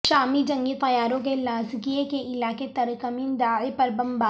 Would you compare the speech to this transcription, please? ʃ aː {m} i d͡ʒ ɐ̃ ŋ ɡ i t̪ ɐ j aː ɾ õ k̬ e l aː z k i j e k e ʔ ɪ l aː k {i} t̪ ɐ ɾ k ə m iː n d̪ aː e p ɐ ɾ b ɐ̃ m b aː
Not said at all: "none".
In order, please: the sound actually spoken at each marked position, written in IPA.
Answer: m, e

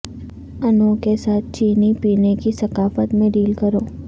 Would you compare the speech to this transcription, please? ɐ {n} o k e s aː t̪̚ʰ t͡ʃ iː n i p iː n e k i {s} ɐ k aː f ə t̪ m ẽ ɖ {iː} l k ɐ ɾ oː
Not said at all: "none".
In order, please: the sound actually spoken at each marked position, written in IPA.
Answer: n, s, iː

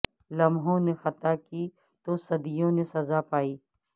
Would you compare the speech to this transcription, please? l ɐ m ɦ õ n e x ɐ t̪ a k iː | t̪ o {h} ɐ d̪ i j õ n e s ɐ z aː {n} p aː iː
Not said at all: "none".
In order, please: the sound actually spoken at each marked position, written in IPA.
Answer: s, none

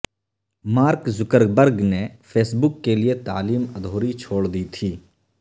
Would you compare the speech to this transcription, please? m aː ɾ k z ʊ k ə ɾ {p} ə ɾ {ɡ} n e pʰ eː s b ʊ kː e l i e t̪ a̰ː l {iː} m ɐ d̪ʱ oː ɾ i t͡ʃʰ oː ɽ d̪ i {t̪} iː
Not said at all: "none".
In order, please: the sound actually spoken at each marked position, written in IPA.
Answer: b, ɡ, iː, t̪ʰ

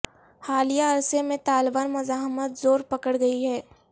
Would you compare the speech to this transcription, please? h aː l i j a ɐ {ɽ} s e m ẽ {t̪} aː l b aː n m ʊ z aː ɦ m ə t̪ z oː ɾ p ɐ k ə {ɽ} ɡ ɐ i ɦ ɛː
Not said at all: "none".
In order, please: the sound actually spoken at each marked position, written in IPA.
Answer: ɾ, t̪, ɽ

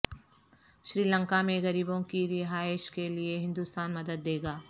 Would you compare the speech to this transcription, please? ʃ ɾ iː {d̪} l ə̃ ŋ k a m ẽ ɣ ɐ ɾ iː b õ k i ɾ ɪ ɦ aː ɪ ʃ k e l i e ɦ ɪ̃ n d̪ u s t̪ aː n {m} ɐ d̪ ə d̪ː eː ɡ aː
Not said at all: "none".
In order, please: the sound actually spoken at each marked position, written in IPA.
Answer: none, m

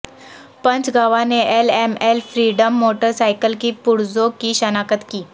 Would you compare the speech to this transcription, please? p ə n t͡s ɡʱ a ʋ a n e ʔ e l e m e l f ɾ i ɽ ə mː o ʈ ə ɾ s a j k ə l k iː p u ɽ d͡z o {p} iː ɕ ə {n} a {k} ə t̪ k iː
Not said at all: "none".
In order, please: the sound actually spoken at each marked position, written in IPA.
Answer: k, n, k

